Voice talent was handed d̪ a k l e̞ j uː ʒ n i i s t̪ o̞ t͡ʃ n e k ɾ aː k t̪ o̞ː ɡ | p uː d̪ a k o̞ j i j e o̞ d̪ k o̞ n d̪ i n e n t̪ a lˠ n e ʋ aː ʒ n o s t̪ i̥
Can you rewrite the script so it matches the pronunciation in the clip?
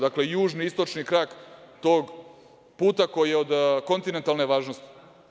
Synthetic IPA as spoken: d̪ a k l e̞ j uː ʒ n i i s t̪ o̞ t͡ʃ n i k ɾ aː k t̪ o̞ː ɡ | p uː t̪ a k o̞ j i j e o̞ d̪ k o̞ n t̪ i n e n t̪ a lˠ n e ʋ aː ʒ n o s t̪ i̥